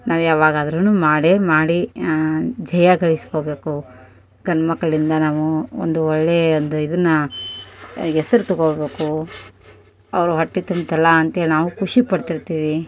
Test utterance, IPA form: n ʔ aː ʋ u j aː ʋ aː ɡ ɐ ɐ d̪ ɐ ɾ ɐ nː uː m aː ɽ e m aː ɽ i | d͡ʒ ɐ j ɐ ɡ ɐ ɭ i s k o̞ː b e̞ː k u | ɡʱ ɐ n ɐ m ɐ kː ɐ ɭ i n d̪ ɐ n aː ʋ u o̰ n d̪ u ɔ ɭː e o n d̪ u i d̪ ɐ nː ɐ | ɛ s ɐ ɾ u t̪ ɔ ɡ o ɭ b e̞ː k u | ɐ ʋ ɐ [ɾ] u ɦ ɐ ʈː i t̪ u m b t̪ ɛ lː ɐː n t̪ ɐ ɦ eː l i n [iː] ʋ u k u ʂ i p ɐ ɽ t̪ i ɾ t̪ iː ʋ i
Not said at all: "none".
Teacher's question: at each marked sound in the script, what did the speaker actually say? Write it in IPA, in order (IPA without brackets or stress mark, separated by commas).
ɾ, aː